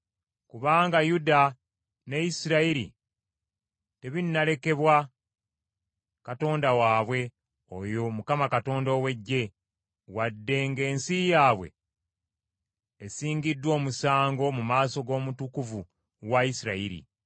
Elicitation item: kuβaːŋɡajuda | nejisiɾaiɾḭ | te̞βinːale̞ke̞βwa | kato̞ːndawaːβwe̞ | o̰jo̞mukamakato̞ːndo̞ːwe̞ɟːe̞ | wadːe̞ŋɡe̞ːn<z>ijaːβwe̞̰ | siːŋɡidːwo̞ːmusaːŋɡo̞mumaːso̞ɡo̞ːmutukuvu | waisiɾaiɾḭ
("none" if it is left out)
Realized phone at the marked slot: s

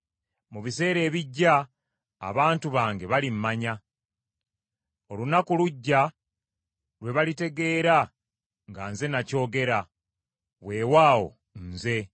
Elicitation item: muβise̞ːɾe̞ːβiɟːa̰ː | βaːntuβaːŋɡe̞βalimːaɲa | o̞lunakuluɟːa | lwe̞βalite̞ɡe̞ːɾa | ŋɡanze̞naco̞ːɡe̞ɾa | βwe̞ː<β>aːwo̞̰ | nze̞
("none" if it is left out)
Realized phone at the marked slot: w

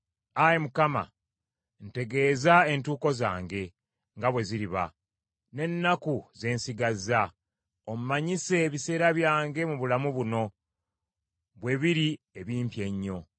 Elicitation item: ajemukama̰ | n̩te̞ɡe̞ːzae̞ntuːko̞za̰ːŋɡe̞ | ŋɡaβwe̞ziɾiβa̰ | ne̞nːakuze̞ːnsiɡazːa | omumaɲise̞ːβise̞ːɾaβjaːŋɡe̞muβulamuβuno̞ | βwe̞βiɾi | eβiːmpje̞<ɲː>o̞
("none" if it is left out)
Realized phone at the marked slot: ɲː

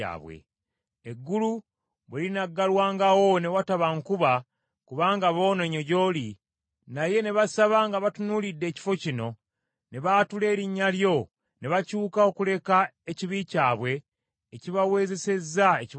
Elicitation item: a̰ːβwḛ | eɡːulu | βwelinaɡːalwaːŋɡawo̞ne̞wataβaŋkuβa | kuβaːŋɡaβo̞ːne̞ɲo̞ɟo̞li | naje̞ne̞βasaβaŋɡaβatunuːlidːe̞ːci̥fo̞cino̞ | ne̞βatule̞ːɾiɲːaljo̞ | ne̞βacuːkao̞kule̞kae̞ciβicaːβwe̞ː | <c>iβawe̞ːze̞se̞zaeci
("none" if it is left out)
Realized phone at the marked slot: c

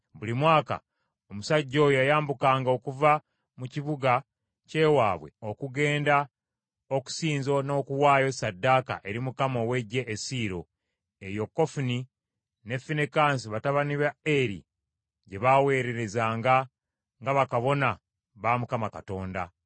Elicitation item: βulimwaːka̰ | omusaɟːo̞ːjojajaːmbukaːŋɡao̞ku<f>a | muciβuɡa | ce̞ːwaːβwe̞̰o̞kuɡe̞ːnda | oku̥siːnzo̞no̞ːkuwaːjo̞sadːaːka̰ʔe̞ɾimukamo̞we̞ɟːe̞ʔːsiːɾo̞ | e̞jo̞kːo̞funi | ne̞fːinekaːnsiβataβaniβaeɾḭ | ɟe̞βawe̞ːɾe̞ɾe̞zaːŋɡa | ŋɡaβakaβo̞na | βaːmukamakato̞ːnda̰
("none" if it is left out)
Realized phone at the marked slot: v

